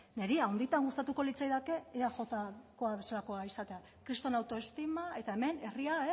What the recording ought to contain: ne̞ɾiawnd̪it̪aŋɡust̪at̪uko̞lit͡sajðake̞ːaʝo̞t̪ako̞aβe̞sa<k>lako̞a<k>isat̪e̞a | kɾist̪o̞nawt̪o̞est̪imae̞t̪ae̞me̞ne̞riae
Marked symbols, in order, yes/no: no, no

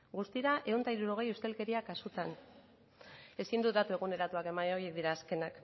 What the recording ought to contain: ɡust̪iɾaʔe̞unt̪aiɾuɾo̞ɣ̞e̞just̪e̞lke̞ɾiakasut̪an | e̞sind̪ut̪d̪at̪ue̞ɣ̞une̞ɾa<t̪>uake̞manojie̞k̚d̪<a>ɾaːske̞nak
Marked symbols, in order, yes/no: yes, no

